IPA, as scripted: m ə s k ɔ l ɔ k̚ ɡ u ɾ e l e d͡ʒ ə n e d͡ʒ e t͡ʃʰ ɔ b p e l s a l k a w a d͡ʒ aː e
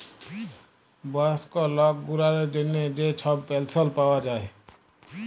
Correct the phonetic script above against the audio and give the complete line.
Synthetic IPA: b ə s k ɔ l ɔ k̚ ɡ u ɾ a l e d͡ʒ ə n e d͡ʒ e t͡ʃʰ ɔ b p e l s ə l p a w a d͡ʒ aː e